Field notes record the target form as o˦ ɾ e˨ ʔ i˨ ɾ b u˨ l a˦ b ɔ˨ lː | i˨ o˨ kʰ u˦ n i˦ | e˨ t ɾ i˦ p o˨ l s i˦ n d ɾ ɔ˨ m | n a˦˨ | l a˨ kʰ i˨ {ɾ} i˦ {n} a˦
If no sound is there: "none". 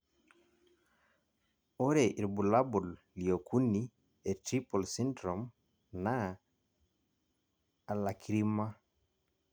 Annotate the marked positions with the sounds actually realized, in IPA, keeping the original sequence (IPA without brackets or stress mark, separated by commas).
ɾ, m